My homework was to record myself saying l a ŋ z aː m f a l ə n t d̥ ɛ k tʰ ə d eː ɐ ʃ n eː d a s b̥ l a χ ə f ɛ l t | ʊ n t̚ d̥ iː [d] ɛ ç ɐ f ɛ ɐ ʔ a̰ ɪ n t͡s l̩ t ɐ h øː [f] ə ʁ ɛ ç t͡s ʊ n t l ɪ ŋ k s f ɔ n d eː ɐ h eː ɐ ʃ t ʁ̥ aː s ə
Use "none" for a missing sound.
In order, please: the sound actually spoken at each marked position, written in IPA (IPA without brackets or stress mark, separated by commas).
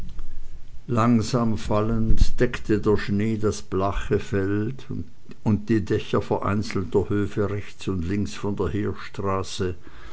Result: d, f